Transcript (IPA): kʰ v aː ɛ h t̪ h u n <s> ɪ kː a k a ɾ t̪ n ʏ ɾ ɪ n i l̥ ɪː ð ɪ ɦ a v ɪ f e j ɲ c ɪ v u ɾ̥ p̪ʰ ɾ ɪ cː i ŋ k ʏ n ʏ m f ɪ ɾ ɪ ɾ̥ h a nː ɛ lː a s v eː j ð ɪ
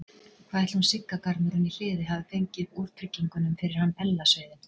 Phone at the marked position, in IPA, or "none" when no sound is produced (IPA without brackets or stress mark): s